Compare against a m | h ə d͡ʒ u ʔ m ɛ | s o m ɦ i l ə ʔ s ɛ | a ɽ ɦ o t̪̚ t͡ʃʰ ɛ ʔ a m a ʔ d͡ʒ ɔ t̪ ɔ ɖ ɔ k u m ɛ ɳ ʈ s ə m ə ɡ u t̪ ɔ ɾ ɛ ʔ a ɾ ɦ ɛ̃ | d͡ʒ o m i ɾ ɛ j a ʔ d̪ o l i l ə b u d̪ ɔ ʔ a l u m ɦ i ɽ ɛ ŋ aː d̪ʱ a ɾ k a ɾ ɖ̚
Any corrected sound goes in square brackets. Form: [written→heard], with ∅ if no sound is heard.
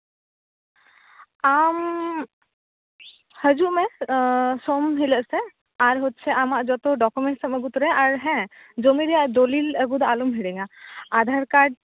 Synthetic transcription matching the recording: a m | h ə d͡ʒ u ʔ m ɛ | s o m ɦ i l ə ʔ s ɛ | a [ɽ→ɾ] ɦ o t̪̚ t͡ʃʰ ɛ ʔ a m a ʔ d͡ʒ ɔ t̪ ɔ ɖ ɔ k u m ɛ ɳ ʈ s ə m ə ɡ u t̪ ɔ ɾ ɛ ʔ a ɾ ɦ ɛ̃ | d͡ʒ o m i ɾ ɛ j a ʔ d̪ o l i l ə [b→ɡ] u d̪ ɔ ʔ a l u m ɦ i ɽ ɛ ŋ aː d̪ʱ a ɾ k a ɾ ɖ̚